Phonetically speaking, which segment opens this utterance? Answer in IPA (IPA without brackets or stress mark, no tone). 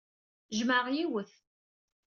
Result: ʒ